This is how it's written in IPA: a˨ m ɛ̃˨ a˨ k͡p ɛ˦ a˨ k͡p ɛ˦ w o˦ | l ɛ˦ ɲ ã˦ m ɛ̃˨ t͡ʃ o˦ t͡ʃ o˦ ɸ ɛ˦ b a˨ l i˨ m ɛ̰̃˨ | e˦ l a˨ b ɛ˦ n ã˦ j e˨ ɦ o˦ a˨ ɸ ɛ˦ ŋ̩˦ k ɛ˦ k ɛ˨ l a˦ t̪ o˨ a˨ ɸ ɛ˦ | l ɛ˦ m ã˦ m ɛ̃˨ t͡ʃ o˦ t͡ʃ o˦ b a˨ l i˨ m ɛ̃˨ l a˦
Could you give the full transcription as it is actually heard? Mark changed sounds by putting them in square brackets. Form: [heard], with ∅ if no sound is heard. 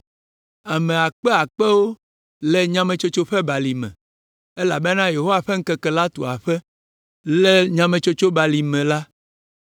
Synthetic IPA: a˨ m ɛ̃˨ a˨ k͡p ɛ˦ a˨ k͡p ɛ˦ w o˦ | l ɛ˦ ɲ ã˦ m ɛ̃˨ t͡ʃ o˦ t͡ʃ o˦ ɸ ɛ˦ b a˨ l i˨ m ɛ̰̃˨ | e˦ l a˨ b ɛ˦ n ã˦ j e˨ ɦ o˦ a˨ ɸ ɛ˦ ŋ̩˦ k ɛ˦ k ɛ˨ l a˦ t̪ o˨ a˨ ɸ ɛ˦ | l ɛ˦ [ɲ] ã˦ m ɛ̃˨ t͡ʃ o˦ t͡ʃ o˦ b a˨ l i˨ m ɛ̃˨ l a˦